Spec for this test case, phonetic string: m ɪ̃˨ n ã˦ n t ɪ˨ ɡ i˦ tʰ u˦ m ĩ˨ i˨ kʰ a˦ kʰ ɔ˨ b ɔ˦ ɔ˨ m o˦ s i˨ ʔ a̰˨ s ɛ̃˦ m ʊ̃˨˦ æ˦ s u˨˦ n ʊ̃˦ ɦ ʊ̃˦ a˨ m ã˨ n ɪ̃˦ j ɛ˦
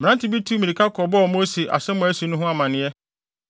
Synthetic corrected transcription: m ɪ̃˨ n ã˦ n t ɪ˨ b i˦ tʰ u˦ m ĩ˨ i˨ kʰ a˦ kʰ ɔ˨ b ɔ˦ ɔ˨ m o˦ s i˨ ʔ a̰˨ s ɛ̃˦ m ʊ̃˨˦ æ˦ s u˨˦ n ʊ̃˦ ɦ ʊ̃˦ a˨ m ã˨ n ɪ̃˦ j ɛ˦